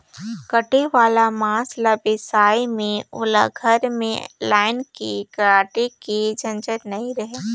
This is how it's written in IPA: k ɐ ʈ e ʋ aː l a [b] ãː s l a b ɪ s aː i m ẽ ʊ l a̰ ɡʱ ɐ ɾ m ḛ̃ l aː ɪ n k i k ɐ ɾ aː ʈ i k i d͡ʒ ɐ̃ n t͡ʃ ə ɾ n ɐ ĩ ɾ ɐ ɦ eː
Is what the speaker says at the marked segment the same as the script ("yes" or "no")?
no